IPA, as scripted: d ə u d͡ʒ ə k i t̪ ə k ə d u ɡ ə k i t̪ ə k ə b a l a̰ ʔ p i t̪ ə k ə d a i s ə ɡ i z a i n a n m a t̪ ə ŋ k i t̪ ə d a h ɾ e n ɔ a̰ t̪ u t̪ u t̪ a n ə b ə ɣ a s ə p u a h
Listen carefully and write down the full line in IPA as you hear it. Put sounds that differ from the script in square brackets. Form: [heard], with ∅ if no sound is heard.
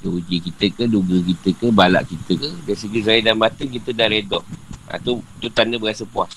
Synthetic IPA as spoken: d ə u d͡ʒ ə k i t̪ ə k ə d u ɡ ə k i t̪ ə k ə b a l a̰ ʔ [k] i t̪ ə k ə d a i s ə ɡ i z a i [d] a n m a t̪ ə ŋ k i t̪ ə d a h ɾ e [d] ɔ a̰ t̪ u t̪ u t̪ a n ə b ə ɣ a s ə p u a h